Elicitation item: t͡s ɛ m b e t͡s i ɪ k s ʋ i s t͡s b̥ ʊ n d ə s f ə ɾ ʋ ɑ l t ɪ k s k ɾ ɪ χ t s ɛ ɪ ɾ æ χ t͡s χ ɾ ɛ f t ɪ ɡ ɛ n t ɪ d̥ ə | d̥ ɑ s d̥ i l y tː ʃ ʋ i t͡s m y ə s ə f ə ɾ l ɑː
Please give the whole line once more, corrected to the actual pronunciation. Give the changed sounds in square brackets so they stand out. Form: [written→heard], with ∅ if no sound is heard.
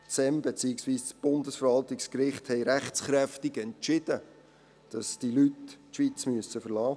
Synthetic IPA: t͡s ɛ m b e t͡s i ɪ k s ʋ [i→iː] s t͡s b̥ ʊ n d ə s f ə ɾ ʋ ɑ l t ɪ k s k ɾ ɪ χ t [s→h] ɛ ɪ ɾ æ χ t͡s χ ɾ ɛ f t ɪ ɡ ɛ n [t→t͡ʃ] ɪ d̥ ə | d̥ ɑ s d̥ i l y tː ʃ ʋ i t͡s m y ə s ə f ə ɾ l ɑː